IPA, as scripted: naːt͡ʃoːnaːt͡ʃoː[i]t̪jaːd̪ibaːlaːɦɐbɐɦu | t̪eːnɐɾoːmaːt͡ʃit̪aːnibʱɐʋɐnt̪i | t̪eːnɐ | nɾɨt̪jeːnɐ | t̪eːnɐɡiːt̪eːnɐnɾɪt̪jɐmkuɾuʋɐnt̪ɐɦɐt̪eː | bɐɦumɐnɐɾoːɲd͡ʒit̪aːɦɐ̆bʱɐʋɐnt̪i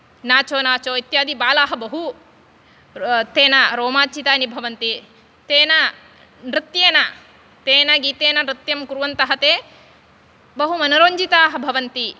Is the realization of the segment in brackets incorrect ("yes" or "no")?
no